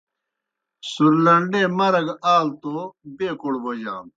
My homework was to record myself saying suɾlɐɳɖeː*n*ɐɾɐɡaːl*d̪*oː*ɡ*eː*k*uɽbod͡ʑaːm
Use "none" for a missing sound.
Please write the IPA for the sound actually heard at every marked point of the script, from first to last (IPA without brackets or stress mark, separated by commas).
m, t̪, b, k